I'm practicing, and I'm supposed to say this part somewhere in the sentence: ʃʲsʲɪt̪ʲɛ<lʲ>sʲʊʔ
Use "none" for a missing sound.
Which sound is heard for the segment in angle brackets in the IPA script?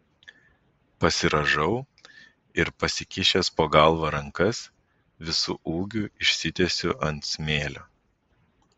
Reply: none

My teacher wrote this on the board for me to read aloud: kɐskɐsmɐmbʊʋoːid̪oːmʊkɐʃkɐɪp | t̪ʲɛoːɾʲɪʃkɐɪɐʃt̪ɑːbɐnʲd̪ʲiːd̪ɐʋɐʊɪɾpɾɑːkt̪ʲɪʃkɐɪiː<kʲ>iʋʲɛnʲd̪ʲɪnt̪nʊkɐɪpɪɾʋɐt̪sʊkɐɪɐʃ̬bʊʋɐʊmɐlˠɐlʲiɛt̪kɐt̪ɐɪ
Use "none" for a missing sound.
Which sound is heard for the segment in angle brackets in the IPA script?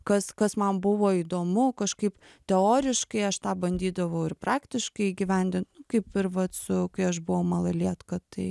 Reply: ɡʲ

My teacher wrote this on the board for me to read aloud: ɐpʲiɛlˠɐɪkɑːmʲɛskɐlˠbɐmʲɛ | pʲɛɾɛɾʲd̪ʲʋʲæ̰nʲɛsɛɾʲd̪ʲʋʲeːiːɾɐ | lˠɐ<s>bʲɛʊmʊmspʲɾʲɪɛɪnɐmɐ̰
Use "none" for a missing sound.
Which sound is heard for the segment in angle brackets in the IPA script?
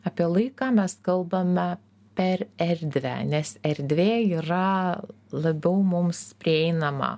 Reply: none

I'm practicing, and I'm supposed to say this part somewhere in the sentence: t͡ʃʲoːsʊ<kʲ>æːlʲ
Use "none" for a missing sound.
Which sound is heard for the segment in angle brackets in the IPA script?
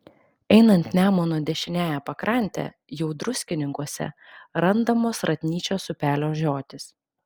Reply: pʲ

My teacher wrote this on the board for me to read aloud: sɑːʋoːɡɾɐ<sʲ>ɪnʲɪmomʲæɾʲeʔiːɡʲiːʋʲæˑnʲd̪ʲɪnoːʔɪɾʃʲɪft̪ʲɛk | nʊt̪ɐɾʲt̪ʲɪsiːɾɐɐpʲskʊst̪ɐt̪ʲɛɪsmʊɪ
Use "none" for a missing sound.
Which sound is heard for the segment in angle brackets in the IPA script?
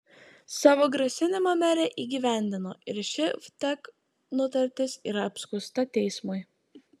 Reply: sʲ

